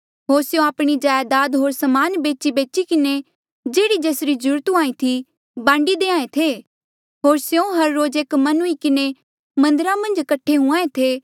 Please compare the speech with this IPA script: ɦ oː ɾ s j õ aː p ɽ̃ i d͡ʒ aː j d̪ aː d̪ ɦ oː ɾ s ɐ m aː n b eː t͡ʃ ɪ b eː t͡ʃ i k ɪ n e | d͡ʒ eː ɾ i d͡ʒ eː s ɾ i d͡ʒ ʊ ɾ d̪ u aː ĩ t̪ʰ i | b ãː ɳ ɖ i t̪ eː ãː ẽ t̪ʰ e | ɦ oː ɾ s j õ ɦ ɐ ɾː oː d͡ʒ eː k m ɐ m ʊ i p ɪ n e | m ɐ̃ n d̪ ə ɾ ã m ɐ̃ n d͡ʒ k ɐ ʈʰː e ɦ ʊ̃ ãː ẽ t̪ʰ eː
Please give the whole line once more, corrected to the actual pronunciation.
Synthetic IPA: ɦ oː ɾ s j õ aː p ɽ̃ i d͡ʒ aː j d̪ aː d̪ ɦ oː ɾ s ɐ m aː n b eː t͡ʃ i b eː t͡ʃ i k ɪ n e | d͡ʒ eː ɽ i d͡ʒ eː s ɾ i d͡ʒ ʊ ɾ t̪ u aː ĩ t̪ʰ i | b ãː ɳ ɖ i d̪ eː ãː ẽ t̪ʰ e | ɦ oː ɾ s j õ ɦ ɐ ɾː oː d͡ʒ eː k m ɐ n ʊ i k ɪ n e | m ɐ̃ n d̪ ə ɾ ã m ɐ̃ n d͡ʒ k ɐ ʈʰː e ɦ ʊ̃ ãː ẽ t̪ʰ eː